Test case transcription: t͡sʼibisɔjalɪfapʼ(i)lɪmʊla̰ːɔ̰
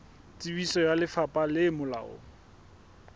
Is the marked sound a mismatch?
yes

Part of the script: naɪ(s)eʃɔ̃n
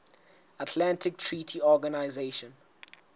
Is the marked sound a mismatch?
yes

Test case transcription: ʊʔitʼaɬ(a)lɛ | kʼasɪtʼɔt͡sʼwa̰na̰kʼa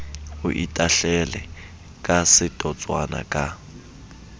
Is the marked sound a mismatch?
yes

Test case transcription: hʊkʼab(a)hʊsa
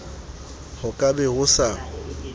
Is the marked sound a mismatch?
yes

